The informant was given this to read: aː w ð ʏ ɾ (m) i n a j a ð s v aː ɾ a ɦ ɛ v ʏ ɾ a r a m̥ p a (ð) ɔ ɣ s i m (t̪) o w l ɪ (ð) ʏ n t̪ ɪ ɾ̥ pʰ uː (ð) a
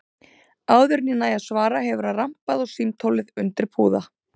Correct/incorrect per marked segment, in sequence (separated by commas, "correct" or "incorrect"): incorrect, correct, incorrect, correct, correct